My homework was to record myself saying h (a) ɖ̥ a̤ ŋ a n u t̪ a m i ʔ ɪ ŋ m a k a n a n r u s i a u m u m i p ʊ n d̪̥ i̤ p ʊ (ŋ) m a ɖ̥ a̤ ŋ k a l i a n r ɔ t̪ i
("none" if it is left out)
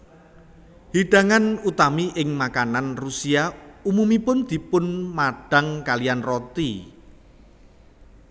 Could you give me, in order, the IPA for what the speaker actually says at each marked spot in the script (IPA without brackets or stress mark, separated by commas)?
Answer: i, n